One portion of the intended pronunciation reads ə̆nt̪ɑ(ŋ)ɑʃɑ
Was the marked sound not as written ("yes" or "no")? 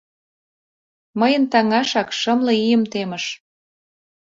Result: no